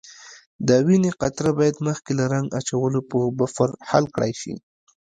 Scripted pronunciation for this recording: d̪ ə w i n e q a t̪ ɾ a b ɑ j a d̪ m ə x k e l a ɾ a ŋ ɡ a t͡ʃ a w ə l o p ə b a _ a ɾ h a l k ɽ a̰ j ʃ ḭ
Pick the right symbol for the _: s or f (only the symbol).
f